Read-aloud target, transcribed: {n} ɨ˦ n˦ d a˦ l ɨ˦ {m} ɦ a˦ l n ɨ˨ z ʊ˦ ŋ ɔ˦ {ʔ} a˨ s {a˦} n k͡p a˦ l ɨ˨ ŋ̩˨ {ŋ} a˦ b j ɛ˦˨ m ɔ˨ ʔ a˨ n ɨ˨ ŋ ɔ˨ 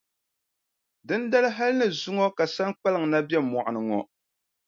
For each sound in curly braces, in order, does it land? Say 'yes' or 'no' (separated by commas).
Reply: no, no, no, yes, no